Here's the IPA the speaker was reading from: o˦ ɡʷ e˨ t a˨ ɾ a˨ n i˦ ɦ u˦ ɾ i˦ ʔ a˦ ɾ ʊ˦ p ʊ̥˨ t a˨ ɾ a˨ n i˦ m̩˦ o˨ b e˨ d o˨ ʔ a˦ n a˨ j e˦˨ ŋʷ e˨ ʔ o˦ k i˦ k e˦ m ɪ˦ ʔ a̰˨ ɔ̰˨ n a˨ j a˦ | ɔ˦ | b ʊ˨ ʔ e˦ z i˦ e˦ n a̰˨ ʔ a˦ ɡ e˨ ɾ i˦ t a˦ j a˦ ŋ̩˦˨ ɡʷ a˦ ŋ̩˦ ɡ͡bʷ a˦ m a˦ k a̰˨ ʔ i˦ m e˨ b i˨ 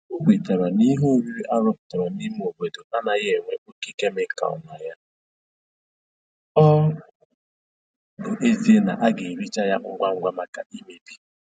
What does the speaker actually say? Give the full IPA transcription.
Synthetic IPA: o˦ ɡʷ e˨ t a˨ ɾ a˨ n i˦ ɦ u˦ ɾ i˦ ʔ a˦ ɾ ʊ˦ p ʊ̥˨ t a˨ ɾ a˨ n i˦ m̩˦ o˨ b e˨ d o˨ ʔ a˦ n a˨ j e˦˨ ŋʷ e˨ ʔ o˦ k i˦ k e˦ m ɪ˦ k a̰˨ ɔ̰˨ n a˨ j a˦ | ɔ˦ | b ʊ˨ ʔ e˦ z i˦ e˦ n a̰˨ ʔ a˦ ɡ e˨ ɾ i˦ t͡ʃ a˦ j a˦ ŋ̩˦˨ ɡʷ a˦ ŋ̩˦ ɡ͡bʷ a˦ m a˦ k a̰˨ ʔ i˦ m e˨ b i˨